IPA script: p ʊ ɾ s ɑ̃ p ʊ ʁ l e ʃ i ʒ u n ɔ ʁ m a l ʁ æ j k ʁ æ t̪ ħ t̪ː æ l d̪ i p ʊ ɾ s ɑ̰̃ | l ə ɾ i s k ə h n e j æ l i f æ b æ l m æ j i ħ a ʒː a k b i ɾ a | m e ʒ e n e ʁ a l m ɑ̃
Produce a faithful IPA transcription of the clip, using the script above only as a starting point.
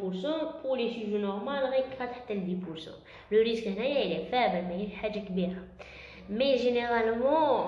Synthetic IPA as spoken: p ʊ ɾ s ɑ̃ p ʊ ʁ l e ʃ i ʒ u n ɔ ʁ m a l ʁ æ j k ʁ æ t̪ ħ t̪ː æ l d̪ i p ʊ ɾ s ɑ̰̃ | l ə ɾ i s k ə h n æ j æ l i f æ b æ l m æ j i ħ a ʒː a k b i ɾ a | m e ʒ e n e ʁ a l m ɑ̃

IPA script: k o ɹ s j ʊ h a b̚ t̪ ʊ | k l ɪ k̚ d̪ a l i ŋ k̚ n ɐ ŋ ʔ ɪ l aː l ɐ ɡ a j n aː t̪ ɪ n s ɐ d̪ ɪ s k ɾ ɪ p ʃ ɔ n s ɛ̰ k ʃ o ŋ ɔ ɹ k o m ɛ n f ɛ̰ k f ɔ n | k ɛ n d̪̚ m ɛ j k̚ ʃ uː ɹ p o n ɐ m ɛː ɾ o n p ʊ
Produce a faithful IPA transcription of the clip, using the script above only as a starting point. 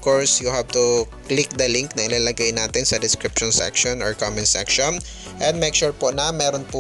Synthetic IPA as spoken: k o ɹ s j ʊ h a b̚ t̪ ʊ | k l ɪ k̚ d̪ ɐ l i ŋ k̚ n ɐ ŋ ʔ ɪ l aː l ɐ ɡ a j n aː t̪ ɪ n s ɐ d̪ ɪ s k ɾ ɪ p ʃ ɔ n s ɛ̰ k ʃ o n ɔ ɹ k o m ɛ n s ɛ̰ k ʃ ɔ n | ʔ ɛ n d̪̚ m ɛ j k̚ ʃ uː ɹ p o n ɐ m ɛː ɾ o n p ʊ

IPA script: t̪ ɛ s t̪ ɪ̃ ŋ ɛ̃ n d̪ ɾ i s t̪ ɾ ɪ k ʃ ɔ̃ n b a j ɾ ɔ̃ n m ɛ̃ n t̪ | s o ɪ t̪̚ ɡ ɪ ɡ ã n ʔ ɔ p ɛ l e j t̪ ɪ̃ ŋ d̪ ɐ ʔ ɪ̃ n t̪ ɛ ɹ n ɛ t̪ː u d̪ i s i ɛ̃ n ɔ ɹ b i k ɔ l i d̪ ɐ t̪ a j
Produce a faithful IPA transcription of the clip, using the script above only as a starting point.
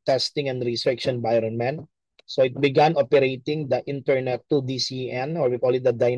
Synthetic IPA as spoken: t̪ ɛ s t̪ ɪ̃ ŋ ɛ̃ n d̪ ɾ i s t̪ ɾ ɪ k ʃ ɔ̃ n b a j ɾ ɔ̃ n m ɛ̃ n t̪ | s o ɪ t̪̚ b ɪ ɡ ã n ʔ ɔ p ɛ ɾ e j t̪ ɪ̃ ŋ d̪ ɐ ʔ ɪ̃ n t̪ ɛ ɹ n ɛ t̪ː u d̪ i s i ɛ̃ n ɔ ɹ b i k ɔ l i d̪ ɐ d̪ a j

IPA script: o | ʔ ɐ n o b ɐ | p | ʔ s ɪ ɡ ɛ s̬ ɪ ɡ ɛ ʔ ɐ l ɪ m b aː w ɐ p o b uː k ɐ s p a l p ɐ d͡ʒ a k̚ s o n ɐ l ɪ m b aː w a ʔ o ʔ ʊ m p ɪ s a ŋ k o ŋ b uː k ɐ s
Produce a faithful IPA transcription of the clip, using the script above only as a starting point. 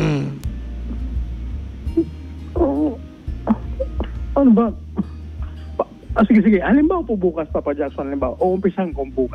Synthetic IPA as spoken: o | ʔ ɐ n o b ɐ | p | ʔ s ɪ ɡ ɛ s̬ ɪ ɡ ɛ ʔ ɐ l ɪ m b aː w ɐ p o b uː k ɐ s p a p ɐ d͡ʒ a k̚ s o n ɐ l ɪ m b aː w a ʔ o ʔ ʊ m p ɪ s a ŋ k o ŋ b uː k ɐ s

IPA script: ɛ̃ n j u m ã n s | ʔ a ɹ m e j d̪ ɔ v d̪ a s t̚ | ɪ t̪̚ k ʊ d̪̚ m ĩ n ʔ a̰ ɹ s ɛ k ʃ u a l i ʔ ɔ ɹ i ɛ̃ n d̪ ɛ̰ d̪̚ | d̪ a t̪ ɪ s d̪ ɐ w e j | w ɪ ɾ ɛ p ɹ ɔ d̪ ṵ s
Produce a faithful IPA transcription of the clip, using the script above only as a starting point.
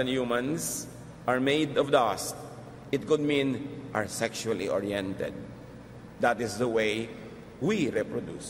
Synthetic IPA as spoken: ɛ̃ n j u m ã n s | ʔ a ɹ m e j d̪ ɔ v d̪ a s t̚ | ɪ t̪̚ k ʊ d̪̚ m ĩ n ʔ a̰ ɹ s ɛ k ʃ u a l i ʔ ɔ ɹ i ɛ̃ n t̪ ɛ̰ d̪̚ | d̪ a t̪ ɪ s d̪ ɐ w e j | w i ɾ ɛ p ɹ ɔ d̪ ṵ s

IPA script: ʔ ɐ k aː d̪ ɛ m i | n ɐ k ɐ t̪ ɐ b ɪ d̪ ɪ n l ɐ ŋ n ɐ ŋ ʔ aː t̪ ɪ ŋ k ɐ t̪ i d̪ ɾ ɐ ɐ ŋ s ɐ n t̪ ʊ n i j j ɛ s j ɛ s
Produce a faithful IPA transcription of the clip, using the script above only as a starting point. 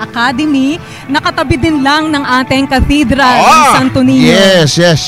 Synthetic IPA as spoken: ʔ ɐ k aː d̪ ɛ m i | n ɐ k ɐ t̪ ɐ b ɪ d̪ ɪ n l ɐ ŋ n ɐ ŋ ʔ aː t̪ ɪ ŋ k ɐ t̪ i d̪ ɾ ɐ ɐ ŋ s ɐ n t̪ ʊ n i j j ɛ s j ɛ s

